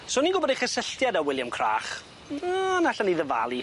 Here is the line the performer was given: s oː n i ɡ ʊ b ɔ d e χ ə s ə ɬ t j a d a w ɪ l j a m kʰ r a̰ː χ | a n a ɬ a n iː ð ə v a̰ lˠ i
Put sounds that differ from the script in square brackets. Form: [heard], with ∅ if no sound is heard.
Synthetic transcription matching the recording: s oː n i ɡ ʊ b ɔ d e χ ə s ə ɬ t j a d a w ɪ l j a m kʰ r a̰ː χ | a n a ɬ a n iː ð ə v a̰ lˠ i